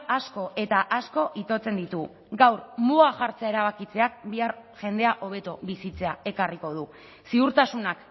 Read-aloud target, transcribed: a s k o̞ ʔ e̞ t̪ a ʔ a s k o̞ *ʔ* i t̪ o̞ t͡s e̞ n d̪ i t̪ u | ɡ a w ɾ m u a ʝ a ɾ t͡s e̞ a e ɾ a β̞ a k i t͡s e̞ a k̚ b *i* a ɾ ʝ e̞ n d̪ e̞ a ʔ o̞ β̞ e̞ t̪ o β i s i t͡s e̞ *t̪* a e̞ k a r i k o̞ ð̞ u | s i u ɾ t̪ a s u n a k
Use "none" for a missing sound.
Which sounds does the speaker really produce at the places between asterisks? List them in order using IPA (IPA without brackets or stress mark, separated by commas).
ʔ, i, none